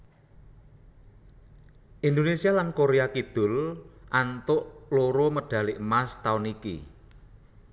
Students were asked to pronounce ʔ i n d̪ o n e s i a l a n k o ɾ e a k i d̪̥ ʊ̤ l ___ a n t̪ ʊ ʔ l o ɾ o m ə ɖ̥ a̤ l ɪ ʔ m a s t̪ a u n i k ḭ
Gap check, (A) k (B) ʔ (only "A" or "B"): B